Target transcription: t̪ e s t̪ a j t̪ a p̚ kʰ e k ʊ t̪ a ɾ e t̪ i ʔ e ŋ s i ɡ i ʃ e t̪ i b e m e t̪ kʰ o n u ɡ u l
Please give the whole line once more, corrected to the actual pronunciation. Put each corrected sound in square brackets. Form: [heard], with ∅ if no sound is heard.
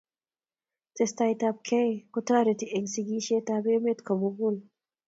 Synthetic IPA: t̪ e s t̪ a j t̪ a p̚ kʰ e k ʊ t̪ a ɾ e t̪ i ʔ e ŋ s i ɡ i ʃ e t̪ [a] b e m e t̪ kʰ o [m] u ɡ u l